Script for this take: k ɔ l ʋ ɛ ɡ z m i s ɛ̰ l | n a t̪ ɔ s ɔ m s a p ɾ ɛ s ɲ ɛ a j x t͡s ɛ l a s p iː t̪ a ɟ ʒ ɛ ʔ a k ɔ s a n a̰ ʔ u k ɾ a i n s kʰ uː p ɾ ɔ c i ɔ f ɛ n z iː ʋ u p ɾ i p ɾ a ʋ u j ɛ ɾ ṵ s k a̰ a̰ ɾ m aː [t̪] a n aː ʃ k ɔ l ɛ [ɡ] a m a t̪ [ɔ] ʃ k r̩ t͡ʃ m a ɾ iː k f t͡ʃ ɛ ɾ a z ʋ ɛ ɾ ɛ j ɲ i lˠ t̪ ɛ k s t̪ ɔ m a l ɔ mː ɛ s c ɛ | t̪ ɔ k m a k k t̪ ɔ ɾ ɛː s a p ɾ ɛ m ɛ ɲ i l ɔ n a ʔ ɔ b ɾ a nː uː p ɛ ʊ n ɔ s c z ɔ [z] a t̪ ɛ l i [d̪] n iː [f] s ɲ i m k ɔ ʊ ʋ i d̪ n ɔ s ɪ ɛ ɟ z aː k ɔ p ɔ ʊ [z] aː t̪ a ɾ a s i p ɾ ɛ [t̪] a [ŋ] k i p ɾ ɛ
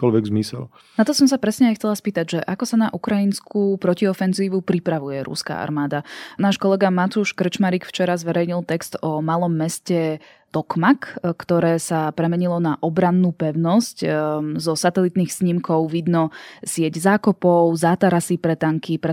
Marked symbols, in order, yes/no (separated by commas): no, yes, no, no, no, no, yes, yes, yes